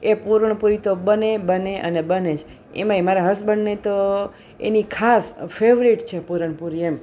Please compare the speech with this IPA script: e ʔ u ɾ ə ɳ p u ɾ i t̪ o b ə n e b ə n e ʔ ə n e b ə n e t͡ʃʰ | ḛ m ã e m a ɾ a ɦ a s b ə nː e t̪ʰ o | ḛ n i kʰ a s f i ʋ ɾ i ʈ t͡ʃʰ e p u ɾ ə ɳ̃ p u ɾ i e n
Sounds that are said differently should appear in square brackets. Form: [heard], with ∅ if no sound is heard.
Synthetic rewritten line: e [p] u ɾ ə ɳ p u ɾ i t̪ o b ə n e b ə n e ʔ ə n e b ə n e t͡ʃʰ | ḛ m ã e m a ɾ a ɦ [ə] s b ə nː e [t̪] o | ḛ n i kʰ a s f [e] ʋ ɾ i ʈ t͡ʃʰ e p u ɾ ə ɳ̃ p u ɾ i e [m]

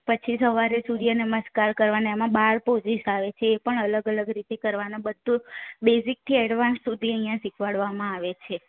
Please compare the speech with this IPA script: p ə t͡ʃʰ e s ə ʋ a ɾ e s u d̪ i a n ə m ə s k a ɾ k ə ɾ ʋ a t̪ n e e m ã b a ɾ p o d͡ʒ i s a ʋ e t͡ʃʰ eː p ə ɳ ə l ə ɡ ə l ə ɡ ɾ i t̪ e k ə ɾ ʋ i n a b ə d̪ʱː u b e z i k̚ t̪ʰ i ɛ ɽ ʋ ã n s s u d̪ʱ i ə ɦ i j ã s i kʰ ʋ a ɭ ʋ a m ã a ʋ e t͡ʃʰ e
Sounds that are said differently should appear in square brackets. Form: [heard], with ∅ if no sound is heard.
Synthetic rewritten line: p ə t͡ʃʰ [i] s ə ʋ a ɾ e s u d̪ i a n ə m ə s k a ɾ k ə ɾ ʋ a [∅] n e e m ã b a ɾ p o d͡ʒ i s a ʋ e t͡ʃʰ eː p ə ɳ ə l ə ɡ ə l ə ɡ ɾ i t̪ e k ə ɾ ʋ [a] n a b ə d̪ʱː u b e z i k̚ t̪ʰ i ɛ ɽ ʋ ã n s s u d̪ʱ i ə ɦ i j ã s i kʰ ʋ a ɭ ʋ a m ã a ʋ e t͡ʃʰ e

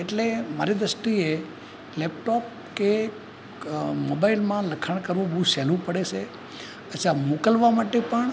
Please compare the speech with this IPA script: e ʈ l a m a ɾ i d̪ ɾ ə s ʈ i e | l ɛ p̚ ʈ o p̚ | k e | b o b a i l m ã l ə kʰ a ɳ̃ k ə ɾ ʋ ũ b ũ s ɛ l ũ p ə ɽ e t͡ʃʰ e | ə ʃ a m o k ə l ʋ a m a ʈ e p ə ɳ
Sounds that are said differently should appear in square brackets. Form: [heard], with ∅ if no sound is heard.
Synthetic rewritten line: e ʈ l [e] m a ɾ i d̪ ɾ ə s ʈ i e | l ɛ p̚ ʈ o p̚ | k e | [m] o b a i l m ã l ə kʰ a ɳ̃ k ə ɾ ʋ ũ b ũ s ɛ l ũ p ə ɽ e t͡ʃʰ e | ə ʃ a m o k ə l ʋ a m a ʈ e p ə ɳ

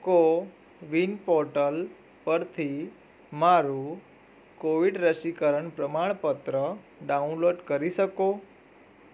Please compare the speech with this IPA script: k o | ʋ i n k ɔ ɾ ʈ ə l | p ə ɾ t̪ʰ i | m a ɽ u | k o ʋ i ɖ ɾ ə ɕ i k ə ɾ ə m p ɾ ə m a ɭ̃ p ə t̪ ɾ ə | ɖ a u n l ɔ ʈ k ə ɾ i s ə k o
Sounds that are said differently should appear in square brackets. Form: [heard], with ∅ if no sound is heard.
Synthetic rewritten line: k o | ʋ i n [p] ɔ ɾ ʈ ə l | p ə ɾ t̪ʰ i | m a [ɾ] u | k o ʋ i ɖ ɾ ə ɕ i k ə ɾ ə [ɳ] p ɾ ə m a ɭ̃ p ə t̪ ɾ ə | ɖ a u n l [o] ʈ k ə ɾ i s ə k o

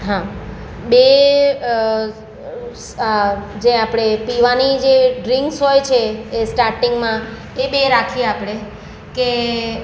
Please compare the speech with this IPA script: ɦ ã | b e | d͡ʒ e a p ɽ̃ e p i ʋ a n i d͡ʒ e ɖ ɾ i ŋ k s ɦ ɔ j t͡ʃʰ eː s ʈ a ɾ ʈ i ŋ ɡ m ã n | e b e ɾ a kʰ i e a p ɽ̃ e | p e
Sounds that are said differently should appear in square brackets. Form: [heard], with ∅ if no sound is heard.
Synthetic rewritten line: ɦ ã | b e | d͡ʒ e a p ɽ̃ e p i ʋ a n i d͡ʒ e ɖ ɾ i ŋ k s ɦ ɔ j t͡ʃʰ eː s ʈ a ɾ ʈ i ŋ ɡ m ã [∅] | e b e ɾ a kʰ i e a p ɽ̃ e | [k] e

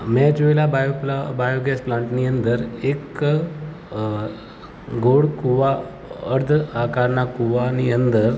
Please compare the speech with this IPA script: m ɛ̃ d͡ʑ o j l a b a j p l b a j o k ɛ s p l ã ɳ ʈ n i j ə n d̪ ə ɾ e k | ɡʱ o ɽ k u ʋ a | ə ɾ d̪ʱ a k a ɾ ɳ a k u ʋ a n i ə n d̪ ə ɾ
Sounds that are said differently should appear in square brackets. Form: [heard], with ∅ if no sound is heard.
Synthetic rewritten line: m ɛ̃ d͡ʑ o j l a b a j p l b a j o [ɡ] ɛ s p l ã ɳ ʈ n i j ə n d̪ ə ɾ e k | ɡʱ o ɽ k u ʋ a | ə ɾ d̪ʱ a k a ɾ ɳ a k u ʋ a n i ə n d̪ ə ɾ

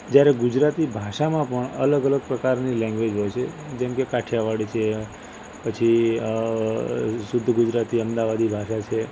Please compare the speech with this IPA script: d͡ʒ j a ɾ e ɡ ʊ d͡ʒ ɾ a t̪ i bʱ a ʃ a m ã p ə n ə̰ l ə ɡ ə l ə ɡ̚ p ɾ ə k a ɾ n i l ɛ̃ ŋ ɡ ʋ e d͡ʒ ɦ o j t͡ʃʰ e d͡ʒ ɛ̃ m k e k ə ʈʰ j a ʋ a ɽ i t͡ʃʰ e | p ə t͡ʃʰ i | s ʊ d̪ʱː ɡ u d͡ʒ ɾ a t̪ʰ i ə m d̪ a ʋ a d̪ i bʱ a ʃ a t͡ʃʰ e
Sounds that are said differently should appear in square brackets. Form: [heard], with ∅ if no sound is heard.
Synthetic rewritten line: d͡ʒ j a ɾ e ɡ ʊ d͡ʒ ɾ a t̪ i bʱ a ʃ a m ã p ə [ɳ] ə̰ l ə ɡ ə l ə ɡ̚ p ɾ ə k a ɾ n i l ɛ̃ ŋ ɡ ʋ e d͡ʒ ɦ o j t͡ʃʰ e d͡ʒ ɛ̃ m k e k [a] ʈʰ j a ʋ a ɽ i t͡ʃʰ e | p ə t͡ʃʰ i | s ʊ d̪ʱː ɡ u d͡ʒ ɾ a [t̪] i ə m d̪ a ʋ a d̪ i bʱ a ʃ a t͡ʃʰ e

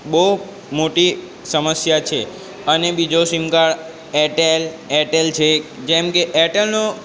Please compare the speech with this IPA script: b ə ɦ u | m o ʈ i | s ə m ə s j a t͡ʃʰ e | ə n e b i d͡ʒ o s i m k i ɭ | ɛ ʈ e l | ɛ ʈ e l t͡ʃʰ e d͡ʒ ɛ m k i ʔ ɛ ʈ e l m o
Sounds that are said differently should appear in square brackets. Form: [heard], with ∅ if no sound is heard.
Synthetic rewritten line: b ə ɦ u | m o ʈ i | s ə m ə s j a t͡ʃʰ e | ə n e b i d͡ʒ o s i m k [a] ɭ | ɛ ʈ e l | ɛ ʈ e l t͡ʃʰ e d͡ʒ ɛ m k [e] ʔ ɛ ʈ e l [n] o

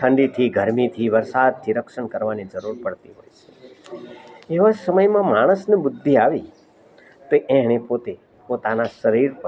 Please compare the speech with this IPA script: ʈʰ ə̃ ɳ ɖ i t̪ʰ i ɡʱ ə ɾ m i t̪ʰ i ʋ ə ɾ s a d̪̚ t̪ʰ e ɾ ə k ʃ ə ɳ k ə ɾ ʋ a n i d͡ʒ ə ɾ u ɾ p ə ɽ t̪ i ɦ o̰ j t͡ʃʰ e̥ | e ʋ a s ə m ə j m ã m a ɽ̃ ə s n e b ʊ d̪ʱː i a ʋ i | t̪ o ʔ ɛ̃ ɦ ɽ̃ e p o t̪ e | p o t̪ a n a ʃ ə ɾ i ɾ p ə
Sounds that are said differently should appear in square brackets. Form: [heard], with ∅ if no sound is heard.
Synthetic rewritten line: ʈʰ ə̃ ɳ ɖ i t̪ʰ i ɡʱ ə ɾ m i t̪ʰ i ʋ ə ɾ s a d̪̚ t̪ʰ [i] ɾ ə k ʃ ə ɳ k ə ɾ ʋ a n i d͡ʒ ə ɾ u ɾ p ə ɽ t̪ i ɦ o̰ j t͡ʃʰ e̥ | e ʋ a s ə m ə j m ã m a ɽ̃ ə s n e b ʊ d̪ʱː i a ʋ i | t̪ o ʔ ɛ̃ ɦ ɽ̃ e p o t̪ e | p o t̪ a n a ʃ ə ɾ i ɾ p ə

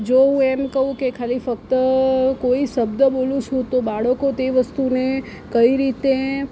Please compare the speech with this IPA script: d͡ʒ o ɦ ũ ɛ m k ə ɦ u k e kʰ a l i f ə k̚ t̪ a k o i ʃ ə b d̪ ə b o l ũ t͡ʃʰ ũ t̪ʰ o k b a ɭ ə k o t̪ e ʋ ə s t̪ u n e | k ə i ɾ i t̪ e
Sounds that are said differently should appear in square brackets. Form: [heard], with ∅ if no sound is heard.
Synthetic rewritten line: d͡ʒ o ɦ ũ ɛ m k ə ɦ [ũ] k e kʰ a l i f ə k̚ t̪ [ə] k o i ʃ ə b d̪ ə b o l ũ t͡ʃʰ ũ [t̪] o [∅] b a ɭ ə k o t̪ e ʋ ə s t̪ u n e | k ə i ɾ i t̪ e

